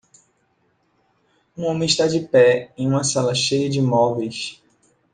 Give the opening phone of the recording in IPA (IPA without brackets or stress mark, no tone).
ũ